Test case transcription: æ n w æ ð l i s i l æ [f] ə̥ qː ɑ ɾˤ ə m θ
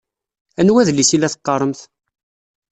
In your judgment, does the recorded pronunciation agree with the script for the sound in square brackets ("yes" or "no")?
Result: no